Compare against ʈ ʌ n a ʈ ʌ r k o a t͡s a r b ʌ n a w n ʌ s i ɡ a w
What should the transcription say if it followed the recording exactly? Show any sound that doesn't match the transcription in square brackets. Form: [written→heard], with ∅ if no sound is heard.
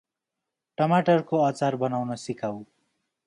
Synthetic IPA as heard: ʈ ʌ [n→m] a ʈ ʌ r k o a t͡s a r b ʌ n a w n ʌ s i [ɡ→k] a w